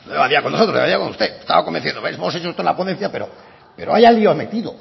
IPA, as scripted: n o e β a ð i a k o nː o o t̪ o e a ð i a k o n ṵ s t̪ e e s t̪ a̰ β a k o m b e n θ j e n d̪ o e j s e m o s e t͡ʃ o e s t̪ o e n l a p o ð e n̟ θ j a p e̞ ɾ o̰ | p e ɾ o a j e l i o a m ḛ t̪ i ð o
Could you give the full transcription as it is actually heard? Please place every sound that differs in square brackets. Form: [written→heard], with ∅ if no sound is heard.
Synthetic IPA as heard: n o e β a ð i a k o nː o o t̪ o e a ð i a k o n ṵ s t̪ e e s t̪ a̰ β a k o m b e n θ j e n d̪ o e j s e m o s e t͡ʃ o e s t̪ o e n l a p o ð e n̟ θ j a p e̞ ɾ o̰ | p e ɾ o a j [e→a] l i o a m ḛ t̪ i ð o